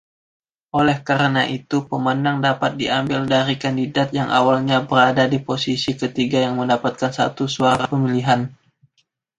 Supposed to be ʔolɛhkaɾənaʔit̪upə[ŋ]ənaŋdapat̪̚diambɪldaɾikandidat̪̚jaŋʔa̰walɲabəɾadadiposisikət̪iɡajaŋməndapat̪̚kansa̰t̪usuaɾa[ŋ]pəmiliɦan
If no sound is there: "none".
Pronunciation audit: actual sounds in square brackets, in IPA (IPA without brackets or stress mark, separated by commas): m, none